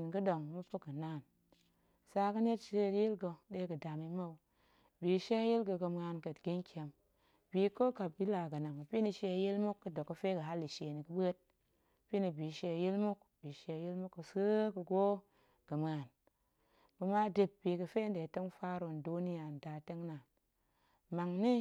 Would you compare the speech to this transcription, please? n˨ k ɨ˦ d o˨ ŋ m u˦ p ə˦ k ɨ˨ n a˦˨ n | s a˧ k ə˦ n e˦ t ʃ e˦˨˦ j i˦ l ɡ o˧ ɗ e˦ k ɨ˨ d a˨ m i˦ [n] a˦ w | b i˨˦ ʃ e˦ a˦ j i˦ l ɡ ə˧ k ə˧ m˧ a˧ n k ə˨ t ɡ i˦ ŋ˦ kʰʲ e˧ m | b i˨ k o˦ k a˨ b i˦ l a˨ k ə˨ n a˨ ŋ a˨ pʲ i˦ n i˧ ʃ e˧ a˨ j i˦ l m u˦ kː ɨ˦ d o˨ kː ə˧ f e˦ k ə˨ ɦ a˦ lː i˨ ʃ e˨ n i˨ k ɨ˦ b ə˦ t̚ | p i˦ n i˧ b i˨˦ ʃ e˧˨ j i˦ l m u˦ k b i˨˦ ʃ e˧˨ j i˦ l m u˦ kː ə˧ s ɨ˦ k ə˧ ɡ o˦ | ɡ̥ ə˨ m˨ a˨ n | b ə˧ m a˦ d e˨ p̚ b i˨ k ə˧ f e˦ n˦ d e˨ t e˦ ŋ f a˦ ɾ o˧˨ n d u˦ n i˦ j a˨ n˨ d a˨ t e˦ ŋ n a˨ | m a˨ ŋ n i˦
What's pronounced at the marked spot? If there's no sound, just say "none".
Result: m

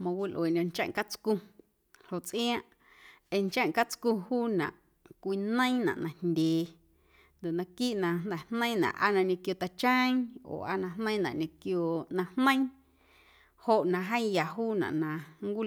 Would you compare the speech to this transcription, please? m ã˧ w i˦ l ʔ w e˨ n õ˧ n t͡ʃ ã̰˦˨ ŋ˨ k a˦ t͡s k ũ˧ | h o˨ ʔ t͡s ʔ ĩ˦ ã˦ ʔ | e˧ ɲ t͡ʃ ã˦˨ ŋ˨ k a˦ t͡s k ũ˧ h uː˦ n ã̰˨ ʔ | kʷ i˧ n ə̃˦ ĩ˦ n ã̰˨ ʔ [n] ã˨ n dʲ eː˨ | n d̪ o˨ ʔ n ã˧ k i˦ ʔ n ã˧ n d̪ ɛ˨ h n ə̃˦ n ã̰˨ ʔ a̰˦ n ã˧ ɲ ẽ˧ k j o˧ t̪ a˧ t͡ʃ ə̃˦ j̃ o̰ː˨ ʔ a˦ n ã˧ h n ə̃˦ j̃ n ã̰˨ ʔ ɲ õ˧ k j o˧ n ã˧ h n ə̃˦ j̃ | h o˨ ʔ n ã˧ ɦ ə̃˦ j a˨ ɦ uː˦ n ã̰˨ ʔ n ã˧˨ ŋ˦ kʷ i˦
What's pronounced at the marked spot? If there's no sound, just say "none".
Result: n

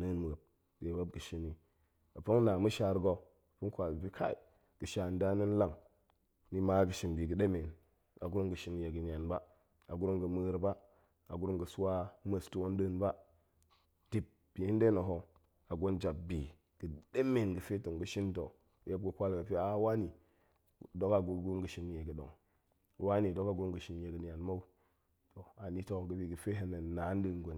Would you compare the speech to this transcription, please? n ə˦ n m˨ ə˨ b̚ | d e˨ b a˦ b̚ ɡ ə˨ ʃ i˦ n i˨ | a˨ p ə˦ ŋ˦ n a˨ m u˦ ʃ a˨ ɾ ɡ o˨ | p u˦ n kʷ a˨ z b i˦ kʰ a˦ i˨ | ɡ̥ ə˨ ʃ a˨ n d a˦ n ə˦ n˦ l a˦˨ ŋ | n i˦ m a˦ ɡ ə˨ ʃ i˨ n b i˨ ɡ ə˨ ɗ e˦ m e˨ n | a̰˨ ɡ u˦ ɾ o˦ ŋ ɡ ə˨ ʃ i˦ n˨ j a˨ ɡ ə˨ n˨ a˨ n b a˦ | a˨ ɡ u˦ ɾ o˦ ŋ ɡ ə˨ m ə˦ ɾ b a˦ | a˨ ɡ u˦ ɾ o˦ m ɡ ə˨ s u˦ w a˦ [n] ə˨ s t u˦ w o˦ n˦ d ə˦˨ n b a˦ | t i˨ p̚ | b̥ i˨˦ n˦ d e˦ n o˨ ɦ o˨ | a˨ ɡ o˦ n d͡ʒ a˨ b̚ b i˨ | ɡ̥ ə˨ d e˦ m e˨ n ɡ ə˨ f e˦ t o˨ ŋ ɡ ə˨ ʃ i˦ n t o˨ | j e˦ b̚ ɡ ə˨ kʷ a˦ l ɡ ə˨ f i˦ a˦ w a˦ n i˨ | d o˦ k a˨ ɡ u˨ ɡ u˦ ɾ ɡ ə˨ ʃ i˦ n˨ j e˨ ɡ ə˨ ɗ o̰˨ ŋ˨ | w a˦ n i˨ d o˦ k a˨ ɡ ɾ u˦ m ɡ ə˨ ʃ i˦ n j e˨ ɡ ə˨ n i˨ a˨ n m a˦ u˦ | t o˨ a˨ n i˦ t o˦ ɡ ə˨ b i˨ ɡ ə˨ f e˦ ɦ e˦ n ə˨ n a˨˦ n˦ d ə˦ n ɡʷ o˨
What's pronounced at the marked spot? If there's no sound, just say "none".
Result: m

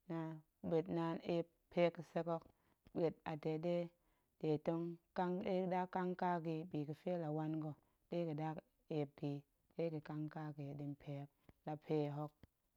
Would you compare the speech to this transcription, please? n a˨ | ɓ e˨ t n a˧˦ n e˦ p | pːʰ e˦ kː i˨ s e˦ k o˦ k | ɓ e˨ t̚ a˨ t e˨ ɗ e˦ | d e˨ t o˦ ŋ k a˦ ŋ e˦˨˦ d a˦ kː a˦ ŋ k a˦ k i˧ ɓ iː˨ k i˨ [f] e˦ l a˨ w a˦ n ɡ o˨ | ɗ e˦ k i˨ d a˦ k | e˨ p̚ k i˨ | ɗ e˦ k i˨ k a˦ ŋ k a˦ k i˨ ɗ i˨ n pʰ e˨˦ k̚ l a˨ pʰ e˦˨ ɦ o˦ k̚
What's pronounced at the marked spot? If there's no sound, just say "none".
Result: f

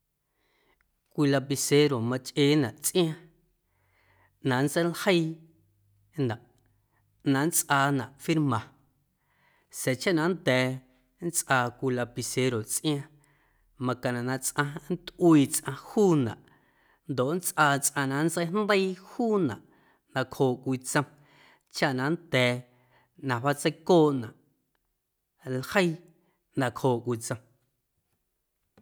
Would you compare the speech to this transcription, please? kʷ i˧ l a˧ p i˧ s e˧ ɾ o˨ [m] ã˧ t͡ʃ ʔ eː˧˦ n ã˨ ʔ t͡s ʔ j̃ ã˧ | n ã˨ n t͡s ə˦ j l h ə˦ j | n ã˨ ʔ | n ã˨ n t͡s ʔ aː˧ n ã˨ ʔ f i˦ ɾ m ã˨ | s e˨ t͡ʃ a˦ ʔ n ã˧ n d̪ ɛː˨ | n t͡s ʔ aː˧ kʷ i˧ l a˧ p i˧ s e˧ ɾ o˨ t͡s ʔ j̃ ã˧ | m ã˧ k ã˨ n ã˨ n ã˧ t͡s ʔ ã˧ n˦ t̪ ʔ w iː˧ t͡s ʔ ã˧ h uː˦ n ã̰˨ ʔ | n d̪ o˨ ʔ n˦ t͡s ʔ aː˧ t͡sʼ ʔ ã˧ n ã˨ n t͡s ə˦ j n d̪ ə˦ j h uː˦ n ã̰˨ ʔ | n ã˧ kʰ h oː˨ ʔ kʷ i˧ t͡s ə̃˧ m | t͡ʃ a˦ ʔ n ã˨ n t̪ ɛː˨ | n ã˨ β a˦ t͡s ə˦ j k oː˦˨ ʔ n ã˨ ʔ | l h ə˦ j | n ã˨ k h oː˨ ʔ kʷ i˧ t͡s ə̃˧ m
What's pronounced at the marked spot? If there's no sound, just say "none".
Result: m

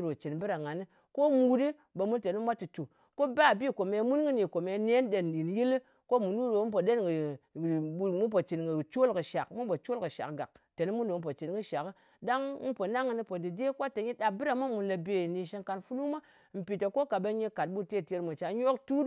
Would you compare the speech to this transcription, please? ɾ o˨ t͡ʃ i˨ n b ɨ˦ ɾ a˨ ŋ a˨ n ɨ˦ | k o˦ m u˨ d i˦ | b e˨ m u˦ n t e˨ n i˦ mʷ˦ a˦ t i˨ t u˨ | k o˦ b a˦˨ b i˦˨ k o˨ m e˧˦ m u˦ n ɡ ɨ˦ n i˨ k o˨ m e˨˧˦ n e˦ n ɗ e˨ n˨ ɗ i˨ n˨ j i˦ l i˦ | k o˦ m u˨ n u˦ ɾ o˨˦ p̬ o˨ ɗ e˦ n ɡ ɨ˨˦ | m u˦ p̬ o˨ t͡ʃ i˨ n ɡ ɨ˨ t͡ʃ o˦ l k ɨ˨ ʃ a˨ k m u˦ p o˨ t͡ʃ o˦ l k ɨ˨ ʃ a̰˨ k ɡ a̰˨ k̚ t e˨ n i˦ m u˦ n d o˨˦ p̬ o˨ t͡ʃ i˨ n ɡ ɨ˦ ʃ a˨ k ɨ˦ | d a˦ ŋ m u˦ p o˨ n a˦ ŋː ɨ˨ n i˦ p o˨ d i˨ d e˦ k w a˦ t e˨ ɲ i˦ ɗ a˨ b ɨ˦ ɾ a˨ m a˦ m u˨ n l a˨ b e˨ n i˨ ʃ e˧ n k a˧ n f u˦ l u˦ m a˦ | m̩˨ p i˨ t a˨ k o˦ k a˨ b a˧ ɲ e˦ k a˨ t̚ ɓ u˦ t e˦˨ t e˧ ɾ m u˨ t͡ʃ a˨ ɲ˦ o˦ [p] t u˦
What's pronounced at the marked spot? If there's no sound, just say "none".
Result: k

